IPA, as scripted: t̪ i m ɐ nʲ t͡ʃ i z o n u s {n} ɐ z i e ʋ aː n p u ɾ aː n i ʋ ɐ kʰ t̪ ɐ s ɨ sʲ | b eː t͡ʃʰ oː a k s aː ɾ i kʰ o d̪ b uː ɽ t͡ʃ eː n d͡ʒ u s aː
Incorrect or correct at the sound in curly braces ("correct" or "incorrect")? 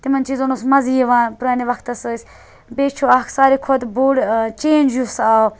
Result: incorrect